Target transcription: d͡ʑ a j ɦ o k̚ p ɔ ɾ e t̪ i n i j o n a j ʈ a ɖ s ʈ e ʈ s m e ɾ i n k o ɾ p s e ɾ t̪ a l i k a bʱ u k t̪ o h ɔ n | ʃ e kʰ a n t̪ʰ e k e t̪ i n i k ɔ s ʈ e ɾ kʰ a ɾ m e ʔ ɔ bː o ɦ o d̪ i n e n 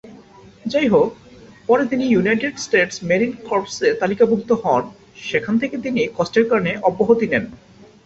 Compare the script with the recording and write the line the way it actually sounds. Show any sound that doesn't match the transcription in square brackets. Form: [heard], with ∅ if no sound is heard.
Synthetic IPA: d͡ʑ a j ɦ o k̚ p ɔ ɾ e t̪ i n i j [u] n a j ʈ [e] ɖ s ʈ e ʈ s m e ɾ i n k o ɾ p s e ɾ t̪ a l i k a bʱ u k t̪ o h ɔ n | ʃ e kʰ a n t̪ʰ e k e t̪ i n i k ɔ s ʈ e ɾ [k] a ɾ [n] e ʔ ɔ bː o ɦ o [t̪] i n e n